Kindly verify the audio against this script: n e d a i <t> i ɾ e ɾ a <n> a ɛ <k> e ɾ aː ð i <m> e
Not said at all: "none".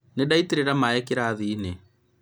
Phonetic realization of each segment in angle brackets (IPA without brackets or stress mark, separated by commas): t, m, k, n